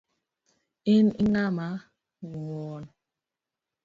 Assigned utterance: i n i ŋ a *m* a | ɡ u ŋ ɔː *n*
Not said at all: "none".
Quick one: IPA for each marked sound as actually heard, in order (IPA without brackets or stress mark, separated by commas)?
m, n